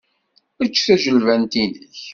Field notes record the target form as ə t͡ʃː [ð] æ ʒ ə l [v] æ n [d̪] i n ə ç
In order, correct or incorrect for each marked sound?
incorrect, correct, incorrect

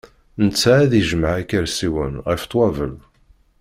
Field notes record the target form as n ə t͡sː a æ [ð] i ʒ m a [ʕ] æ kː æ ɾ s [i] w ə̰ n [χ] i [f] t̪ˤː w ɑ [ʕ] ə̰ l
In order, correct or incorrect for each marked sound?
correct, correct, correct, incorrect, correct, incorrect

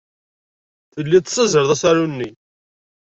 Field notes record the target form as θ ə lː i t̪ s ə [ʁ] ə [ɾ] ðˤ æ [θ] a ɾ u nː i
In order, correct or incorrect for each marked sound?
incorrect, correct, incorrect

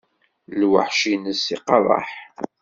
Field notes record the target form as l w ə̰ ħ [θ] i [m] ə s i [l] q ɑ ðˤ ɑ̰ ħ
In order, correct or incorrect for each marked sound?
incorrect, incorrect, incorrect

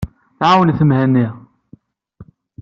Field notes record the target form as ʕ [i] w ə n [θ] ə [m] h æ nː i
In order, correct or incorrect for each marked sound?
incorrect, correct, correct

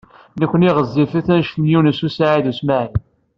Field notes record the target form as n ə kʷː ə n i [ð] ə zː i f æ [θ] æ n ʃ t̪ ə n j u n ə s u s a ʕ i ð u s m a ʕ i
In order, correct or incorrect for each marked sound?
incorrect, correct

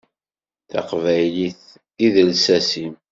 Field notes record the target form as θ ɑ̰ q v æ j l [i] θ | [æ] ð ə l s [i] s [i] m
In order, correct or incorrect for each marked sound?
correct, incorrect, incorrect, correct

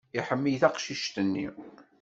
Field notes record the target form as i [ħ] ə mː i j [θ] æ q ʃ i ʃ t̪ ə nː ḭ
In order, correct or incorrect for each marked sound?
correct, correct

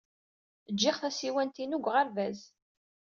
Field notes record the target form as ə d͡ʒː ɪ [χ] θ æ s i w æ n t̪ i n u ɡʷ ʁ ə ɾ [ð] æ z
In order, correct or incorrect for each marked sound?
correct, incorrect

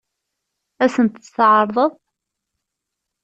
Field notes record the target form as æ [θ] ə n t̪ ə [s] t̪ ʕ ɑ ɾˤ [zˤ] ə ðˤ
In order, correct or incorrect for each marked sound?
incorrect, correct, incorrect

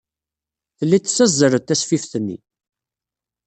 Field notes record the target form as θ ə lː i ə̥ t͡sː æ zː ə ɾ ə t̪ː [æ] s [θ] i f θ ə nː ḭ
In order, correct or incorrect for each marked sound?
correct, incorrect

